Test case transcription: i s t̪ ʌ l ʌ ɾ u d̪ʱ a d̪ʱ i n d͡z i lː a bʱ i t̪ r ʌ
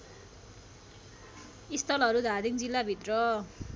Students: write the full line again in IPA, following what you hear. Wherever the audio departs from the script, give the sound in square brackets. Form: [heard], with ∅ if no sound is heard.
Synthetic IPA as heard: i s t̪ ʌ l ʌ ɾ u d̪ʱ a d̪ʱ i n d͡z i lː a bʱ i t̪ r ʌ